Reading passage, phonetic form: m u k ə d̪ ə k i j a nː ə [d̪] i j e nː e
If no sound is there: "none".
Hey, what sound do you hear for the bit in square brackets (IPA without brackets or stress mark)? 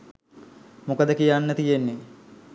t̪